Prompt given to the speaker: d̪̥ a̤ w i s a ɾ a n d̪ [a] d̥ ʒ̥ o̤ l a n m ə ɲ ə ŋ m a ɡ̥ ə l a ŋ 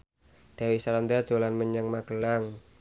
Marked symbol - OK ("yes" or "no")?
yes